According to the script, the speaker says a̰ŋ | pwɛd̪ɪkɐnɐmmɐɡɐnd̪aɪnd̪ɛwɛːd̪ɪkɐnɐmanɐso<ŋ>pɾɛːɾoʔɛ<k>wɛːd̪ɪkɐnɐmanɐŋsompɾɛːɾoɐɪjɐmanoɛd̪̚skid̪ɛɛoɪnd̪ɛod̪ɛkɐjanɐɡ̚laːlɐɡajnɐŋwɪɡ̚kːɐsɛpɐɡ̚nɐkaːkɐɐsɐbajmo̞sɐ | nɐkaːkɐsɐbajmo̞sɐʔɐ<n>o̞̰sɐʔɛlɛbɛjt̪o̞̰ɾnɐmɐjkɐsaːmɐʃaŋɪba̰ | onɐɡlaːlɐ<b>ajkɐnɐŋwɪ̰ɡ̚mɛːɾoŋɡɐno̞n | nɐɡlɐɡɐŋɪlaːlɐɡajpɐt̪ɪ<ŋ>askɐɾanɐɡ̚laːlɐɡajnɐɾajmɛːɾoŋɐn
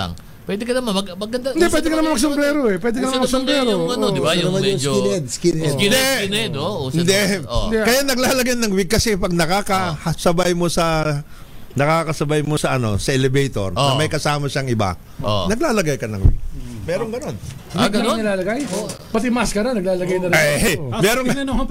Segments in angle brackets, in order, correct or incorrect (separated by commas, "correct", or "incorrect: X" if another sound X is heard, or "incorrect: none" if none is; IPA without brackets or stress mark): incorrect: m, incorrect: p, correct, incorrect: ɡ, incorrect: m